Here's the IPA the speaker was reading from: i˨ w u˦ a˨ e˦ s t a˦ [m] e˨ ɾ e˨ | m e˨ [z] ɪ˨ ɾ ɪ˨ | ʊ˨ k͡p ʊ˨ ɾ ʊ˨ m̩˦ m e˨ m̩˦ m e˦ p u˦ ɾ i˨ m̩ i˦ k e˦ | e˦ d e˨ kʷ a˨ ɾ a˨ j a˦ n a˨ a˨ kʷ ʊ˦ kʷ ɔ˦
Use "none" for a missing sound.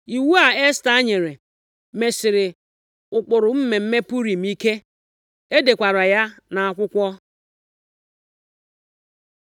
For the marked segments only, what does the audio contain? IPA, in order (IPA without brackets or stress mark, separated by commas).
ɲ, s